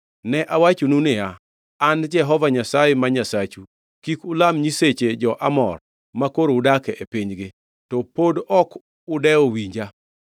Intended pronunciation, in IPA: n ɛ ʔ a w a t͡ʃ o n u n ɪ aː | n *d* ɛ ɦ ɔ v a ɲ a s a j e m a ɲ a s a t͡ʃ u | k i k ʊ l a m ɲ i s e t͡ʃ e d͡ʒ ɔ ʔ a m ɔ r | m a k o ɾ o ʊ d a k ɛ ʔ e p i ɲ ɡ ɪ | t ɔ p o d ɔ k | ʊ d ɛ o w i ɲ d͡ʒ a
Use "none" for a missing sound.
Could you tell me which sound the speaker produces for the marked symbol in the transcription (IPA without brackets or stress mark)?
d͡ʒ